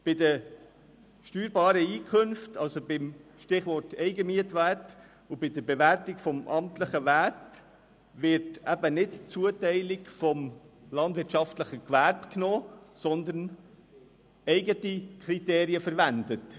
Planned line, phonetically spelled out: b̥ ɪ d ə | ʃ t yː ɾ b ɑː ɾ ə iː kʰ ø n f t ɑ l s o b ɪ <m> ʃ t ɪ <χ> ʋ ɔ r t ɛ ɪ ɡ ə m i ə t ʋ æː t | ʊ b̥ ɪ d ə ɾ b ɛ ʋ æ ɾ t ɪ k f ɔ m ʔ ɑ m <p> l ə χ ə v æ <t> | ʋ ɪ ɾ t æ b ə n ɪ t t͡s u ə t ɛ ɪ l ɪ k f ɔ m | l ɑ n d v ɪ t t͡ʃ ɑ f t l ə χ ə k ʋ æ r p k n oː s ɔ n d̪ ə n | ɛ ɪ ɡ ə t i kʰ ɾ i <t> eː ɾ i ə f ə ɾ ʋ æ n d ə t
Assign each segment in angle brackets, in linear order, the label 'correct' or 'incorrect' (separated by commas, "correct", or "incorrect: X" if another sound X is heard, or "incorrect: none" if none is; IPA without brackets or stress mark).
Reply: correct, correct, incorrect: t, correct, correct